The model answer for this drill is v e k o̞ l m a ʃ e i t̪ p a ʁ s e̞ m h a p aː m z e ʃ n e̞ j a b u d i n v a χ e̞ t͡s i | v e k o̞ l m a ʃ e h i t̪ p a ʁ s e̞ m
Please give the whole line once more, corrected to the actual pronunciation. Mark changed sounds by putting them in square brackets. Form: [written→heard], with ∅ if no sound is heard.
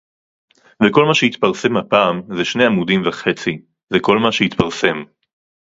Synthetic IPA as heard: v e k o̞ l m a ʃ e i t̪ p a ʁ s e̞ m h a p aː m z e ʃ n e̞ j a [b→m] u d i [n→m] v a χ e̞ t͡s i | [v→z] e k o̞ l m a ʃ e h i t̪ p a ʁ s e̞ m